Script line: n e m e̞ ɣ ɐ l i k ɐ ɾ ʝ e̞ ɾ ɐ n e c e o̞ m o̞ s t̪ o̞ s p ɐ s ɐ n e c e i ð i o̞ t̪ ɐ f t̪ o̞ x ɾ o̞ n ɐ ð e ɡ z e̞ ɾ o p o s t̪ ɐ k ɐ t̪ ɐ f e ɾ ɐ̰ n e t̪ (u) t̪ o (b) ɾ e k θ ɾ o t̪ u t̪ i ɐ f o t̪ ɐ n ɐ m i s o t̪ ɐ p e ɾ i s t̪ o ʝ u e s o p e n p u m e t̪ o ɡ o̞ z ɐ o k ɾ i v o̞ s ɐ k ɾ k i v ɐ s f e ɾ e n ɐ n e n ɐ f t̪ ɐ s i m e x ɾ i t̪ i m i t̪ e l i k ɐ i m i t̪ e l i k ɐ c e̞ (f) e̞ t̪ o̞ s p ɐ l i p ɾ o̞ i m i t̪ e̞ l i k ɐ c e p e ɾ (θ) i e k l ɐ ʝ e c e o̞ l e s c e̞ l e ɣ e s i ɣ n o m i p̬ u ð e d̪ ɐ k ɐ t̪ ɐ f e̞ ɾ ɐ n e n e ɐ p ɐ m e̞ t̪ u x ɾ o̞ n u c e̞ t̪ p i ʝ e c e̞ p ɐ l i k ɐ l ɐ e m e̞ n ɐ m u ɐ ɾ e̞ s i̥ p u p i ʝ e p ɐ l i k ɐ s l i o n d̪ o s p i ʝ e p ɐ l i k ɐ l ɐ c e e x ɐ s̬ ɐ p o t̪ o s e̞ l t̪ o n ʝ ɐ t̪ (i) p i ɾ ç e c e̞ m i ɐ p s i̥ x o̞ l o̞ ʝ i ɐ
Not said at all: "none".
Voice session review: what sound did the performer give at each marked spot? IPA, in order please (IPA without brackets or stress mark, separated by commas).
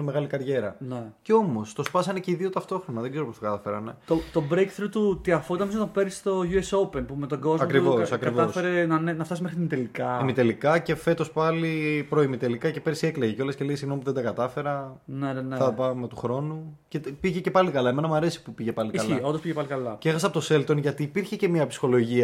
o, b, f, s, iː